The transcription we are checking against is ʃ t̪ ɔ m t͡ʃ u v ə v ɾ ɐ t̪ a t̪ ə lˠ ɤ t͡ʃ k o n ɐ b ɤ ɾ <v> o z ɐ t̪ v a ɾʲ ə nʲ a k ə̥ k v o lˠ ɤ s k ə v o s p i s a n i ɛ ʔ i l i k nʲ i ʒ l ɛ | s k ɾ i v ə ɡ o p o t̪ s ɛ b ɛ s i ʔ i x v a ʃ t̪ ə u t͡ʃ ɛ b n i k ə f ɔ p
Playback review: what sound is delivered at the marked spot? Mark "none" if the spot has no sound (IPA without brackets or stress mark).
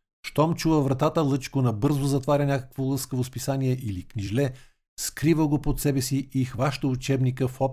z